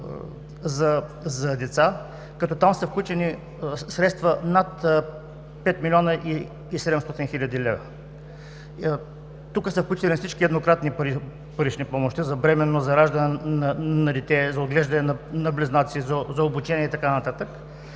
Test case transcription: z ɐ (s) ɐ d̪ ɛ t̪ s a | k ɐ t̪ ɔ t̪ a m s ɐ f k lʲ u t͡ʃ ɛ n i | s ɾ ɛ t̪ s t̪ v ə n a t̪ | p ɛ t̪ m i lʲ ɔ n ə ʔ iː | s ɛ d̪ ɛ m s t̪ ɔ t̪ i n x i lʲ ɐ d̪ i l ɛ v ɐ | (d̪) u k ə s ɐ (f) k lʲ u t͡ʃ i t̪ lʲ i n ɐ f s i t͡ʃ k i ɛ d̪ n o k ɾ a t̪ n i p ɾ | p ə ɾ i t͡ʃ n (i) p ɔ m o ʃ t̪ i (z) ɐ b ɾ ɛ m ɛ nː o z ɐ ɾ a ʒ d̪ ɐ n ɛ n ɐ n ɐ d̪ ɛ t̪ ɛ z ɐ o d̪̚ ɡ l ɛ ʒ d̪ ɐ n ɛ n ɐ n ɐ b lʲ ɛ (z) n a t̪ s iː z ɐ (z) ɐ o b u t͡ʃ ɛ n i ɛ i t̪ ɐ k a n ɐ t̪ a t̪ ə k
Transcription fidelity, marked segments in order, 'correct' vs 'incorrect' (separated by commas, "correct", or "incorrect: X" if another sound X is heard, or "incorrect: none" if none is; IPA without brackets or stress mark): incorrect: z, incorrect: t̪, correct, correct, correct, correct, correct